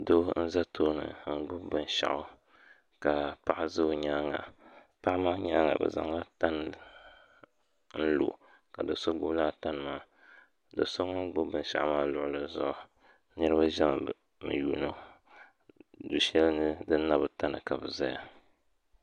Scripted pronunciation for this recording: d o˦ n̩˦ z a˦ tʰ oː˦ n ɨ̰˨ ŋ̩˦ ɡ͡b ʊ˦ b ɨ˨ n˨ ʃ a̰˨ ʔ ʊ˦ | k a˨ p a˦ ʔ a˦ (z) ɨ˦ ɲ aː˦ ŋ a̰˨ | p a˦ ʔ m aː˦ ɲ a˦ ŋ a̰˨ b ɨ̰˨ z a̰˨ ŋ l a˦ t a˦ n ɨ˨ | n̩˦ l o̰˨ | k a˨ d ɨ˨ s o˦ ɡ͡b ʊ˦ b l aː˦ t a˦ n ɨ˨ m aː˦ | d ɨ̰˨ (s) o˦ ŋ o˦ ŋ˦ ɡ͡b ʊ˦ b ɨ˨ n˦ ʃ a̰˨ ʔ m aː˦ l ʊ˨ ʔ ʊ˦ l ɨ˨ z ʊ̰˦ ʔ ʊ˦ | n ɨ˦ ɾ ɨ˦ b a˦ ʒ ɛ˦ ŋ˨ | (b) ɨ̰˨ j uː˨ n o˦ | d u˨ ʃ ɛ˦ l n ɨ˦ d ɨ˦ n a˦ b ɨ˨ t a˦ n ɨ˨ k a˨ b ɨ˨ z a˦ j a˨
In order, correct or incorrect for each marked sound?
correct, correct, incorrect: m

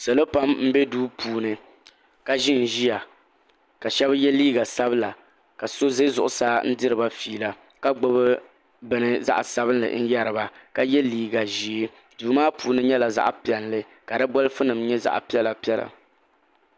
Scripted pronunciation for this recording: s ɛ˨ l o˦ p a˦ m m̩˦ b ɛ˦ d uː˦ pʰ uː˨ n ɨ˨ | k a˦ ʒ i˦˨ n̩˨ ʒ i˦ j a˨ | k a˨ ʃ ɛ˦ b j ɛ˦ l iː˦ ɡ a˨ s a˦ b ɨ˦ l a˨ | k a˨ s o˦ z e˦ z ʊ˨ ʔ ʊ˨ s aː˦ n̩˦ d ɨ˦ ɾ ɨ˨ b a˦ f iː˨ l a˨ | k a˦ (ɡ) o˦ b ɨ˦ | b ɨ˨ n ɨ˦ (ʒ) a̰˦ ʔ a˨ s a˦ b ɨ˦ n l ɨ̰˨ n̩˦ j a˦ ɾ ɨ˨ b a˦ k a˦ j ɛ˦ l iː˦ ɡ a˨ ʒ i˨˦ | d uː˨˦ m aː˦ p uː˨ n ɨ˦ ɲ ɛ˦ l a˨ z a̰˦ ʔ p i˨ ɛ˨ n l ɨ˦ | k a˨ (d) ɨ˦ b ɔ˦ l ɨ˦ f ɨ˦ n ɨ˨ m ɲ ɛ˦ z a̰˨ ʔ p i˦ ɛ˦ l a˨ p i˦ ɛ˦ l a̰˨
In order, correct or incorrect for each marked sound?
incorrect: ɡ͡b, incorrect: z, correct

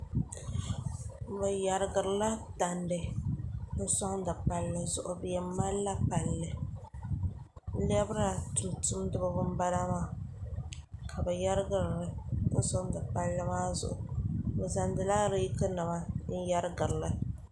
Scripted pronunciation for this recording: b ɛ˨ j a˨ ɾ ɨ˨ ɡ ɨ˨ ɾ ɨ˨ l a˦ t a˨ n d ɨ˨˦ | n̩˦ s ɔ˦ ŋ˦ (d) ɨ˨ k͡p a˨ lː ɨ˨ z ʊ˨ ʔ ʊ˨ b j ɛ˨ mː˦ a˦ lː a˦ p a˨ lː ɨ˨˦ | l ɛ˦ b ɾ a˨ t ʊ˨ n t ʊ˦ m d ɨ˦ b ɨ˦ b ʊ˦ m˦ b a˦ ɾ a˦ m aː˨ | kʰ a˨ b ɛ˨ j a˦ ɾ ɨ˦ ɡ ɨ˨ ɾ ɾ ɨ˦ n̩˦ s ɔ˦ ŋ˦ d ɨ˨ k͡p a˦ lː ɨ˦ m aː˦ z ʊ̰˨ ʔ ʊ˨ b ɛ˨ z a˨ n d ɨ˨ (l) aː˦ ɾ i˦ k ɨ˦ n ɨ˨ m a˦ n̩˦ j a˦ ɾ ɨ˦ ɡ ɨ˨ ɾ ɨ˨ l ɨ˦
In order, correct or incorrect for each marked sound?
correct, correct

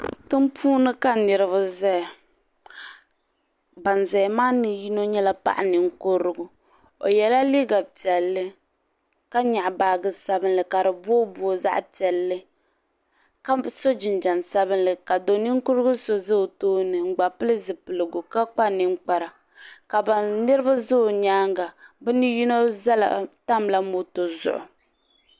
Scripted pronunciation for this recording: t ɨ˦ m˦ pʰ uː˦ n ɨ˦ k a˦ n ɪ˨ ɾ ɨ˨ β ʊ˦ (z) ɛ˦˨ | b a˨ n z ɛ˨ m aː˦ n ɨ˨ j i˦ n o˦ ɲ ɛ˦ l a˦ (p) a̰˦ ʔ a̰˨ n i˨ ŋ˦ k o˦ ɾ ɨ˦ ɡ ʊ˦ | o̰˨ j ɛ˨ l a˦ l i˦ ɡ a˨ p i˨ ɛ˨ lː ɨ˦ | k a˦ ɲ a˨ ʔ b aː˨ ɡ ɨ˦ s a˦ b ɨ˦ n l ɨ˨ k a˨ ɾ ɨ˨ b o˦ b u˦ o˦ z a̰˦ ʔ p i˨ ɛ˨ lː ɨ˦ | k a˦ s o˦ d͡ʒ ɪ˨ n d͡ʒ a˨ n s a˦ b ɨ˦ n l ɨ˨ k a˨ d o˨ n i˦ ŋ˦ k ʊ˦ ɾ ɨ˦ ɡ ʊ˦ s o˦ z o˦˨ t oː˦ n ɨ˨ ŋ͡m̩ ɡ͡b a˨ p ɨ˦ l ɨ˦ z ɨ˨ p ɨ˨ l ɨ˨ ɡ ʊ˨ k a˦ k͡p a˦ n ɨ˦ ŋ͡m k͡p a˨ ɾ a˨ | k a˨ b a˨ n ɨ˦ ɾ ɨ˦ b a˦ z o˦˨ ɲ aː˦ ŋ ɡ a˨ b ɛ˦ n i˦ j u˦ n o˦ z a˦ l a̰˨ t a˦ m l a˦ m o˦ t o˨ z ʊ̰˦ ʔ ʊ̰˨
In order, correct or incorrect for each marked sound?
correct, correct

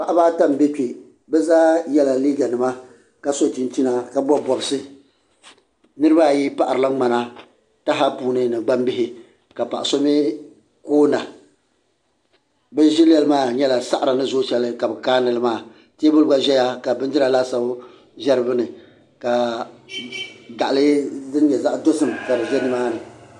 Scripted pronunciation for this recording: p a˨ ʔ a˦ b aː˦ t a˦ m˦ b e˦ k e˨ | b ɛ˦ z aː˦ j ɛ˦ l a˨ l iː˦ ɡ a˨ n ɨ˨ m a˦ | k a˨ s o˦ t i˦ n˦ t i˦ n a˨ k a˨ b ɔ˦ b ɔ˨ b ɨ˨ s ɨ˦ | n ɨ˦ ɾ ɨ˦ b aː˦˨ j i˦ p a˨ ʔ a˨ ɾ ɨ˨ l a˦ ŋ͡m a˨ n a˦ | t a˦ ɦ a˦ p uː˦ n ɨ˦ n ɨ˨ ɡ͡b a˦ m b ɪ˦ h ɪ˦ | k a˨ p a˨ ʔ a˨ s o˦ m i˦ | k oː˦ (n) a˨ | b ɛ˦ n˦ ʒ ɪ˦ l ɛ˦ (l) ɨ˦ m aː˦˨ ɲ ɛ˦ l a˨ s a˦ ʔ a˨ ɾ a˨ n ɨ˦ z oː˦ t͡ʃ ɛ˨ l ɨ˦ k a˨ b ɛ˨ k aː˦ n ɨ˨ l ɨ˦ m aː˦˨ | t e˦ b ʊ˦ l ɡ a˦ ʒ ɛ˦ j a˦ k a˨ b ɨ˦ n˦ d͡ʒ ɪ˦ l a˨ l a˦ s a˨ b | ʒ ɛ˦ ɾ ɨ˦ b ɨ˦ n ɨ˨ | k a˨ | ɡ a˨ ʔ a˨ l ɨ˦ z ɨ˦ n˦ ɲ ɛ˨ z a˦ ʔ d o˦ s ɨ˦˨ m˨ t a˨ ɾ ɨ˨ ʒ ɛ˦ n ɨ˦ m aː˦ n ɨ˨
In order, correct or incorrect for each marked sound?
correct, correct

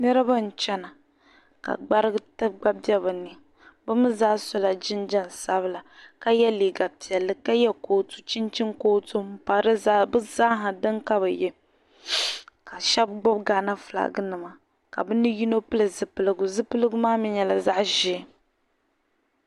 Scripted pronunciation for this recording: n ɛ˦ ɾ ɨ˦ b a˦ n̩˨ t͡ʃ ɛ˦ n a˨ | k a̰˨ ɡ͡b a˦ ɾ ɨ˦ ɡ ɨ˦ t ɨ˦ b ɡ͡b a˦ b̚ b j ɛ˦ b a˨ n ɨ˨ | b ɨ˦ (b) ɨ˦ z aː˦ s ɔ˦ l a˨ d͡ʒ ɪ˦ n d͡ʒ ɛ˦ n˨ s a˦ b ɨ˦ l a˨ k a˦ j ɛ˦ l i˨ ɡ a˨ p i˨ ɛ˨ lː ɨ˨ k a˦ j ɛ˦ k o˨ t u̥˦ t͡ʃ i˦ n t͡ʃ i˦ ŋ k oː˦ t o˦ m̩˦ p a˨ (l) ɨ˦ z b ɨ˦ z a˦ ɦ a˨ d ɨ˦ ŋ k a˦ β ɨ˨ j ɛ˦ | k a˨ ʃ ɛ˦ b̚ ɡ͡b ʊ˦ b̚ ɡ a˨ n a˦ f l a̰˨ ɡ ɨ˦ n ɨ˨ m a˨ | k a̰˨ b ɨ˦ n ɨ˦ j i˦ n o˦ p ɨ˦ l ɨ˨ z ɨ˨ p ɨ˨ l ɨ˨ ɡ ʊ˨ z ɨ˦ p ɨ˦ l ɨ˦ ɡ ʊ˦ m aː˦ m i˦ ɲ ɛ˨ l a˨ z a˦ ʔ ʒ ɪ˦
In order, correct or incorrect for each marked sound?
incorrect: m, incorrect: ɾ

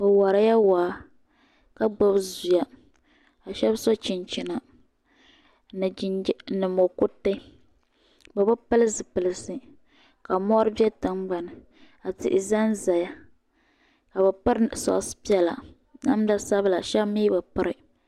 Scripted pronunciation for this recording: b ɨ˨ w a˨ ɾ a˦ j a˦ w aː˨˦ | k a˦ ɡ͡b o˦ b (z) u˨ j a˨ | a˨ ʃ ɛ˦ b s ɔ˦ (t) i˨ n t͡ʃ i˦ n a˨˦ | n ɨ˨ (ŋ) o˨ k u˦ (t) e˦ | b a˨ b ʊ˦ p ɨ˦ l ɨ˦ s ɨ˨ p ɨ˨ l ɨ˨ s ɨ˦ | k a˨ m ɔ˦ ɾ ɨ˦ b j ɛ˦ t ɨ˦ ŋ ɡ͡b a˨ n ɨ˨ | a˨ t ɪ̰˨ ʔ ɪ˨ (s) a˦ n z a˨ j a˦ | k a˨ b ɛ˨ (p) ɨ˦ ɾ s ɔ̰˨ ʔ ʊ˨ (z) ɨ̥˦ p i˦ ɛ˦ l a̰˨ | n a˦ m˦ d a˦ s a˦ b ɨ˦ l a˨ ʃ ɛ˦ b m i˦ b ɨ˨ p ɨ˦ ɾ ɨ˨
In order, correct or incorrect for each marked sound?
correct, incorrect: t͡ʃ, incorrect: m, correct, incorrect: z, correct, incorrect: s

